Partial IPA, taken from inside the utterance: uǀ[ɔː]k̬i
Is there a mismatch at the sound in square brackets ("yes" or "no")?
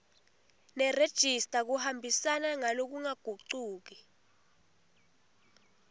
yes